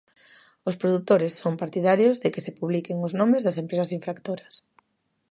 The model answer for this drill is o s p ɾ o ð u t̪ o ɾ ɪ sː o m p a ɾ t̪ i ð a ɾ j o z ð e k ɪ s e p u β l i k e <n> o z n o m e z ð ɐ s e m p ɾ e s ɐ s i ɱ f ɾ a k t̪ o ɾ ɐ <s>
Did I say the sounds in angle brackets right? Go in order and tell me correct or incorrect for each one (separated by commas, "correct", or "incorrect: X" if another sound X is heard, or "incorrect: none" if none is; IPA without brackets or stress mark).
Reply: incorrect: ŋ, correct